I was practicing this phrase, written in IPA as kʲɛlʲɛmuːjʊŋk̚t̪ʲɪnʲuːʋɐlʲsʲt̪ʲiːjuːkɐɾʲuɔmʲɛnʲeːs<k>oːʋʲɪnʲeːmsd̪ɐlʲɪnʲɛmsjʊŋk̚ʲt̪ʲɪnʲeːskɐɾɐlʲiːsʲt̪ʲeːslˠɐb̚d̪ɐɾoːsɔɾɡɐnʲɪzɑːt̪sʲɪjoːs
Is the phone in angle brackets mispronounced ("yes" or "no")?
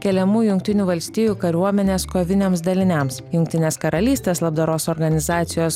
no